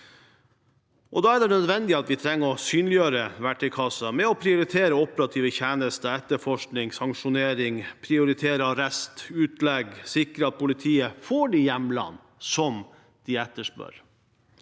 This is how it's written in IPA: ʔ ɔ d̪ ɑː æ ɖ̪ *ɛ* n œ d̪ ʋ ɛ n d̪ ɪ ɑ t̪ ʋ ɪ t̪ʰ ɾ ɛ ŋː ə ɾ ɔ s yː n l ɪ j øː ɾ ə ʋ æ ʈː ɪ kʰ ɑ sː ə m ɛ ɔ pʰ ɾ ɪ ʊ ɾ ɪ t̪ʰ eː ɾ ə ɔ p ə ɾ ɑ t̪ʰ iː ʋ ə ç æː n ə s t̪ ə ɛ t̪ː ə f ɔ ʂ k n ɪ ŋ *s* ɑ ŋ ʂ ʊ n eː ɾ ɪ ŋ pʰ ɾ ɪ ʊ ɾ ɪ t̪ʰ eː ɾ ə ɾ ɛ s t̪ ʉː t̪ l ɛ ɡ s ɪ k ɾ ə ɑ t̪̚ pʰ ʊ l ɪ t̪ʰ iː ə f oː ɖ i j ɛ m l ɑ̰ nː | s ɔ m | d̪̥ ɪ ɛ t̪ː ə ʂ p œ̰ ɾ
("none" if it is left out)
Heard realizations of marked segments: ɛ, s

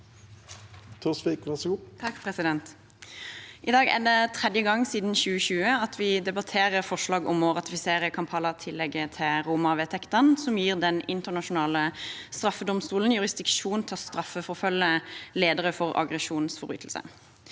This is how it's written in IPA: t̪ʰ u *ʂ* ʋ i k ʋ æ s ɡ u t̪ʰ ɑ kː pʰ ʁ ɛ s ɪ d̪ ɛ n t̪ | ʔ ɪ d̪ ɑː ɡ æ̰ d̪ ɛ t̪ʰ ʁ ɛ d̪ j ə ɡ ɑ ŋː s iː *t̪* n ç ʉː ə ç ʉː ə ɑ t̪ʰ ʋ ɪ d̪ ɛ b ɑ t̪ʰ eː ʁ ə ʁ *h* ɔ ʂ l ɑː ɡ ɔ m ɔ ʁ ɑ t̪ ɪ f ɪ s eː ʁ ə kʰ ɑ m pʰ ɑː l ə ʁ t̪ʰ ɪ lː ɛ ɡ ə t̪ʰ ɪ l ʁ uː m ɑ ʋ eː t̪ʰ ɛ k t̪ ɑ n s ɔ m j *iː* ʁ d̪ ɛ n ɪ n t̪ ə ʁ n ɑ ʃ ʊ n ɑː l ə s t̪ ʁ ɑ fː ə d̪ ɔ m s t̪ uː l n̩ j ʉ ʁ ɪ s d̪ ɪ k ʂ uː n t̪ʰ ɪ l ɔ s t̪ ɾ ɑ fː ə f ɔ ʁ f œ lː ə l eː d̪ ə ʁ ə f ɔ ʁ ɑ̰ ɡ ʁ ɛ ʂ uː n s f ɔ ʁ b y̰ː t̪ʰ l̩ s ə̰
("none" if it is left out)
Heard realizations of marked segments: s, d̪, f, iː

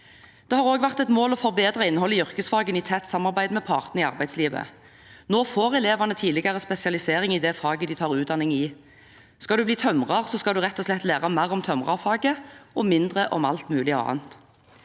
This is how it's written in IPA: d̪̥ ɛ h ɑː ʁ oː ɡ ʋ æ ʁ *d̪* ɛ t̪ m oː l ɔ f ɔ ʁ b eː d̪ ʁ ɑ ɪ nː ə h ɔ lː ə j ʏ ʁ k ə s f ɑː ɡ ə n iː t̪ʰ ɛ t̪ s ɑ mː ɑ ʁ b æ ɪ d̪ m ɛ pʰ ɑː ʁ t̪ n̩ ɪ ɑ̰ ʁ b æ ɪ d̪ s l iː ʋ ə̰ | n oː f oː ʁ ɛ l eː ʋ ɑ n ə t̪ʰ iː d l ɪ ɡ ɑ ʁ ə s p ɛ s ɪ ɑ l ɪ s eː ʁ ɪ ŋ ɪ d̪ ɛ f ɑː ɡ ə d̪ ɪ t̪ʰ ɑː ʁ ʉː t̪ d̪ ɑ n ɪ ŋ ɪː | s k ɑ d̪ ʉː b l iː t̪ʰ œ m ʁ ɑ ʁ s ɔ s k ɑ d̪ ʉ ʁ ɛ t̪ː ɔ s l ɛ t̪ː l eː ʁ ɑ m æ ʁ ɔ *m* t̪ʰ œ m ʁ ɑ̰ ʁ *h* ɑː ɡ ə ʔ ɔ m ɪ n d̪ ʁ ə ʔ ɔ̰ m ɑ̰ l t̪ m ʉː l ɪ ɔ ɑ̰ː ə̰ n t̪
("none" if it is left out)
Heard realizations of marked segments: t̪, m, f

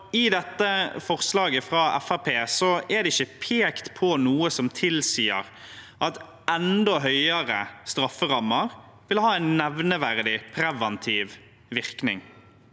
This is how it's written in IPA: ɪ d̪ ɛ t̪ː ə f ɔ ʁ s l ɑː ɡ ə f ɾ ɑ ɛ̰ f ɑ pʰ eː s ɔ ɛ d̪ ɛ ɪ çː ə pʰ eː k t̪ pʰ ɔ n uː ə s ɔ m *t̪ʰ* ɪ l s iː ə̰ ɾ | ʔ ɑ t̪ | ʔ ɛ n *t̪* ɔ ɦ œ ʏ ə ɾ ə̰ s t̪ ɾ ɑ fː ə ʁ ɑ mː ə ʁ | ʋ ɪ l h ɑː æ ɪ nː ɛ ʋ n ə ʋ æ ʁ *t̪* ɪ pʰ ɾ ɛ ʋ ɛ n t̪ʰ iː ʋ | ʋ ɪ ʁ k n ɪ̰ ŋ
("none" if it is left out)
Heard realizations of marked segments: t̪ʰ, d̪, d̪

